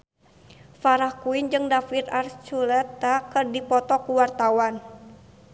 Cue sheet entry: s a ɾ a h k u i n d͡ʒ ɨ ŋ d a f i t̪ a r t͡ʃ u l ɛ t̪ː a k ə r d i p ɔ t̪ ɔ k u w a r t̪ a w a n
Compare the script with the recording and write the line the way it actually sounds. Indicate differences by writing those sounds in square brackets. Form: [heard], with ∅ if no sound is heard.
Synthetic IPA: [f] a ɾ a h k u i n d͡ʒ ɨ ŋ d a f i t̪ a r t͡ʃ u l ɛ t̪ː a k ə r d i p ɔ t̪ ɔ k u w a r t̪ a w a n